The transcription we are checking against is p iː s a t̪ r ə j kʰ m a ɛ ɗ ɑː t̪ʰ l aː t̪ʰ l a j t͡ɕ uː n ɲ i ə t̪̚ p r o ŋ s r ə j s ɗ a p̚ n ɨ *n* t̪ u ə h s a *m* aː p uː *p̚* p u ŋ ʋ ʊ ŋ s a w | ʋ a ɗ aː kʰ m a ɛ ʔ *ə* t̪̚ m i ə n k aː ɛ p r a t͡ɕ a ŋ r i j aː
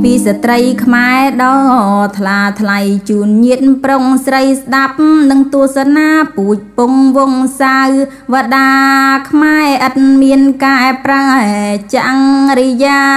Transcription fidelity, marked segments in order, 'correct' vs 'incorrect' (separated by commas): incorrect, incorrect, incorrect, correct